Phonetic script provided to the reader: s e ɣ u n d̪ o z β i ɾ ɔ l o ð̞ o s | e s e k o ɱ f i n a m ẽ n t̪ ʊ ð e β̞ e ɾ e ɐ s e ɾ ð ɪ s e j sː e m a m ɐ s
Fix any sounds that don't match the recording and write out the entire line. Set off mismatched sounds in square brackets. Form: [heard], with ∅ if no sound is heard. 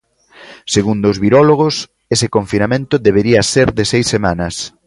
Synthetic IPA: s e ɣ u n d̪ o z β i ɾ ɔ l o [ɣ̞] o s | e s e k o ɱ f i n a m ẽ n t̪ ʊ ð e β̞ e ɾ [i] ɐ s e ɾ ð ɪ s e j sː e m a [n] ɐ s